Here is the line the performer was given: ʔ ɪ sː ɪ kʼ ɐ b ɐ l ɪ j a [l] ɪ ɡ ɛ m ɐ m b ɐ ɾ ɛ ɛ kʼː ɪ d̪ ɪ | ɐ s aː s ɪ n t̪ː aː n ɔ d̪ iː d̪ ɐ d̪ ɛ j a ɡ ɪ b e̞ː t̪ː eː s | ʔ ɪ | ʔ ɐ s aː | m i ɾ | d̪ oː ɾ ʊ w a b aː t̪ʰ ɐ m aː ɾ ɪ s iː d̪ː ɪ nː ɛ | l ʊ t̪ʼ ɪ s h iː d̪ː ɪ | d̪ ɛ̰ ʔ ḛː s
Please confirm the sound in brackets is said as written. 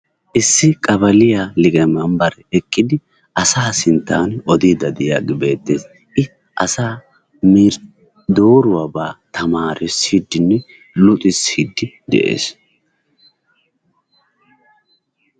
yes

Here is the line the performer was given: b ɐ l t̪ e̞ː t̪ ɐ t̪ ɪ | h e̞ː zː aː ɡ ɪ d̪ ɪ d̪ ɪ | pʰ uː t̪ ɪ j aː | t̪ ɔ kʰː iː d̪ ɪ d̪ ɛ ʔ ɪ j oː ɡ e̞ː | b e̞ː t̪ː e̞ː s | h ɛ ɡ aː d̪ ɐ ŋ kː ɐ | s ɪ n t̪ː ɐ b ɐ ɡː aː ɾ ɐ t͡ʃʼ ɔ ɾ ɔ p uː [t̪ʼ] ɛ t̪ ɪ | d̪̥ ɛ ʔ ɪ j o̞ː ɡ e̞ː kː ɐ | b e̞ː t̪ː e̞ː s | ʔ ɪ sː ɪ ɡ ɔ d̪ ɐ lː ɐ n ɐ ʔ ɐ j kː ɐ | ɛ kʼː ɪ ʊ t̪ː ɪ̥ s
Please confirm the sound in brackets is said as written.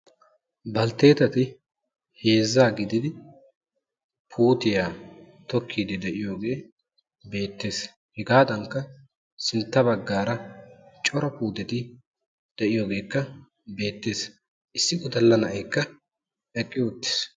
no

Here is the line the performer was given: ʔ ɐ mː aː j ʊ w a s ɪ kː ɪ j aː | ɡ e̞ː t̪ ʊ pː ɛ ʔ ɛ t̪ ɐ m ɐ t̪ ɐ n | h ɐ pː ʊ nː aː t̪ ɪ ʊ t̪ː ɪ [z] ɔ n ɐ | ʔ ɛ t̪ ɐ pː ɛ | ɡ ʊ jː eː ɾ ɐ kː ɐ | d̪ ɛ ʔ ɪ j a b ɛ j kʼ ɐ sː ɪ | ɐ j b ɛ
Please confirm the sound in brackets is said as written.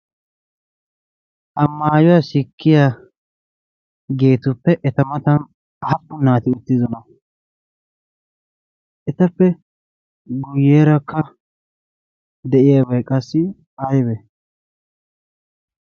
yes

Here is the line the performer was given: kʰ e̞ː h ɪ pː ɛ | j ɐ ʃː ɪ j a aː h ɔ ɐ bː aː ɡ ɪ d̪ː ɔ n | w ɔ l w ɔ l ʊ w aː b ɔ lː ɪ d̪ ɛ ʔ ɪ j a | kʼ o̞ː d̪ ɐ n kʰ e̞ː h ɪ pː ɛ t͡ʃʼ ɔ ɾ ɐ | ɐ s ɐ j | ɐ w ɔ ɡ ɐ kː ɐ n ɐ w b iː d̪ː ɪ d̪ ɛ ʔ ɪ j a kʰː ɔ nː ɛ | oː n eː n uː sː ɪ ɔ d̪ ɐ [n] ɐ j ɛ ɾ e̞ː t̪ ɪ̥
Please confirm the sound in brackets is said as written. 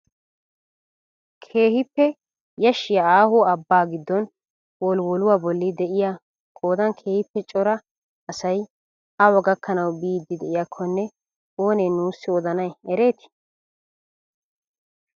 yes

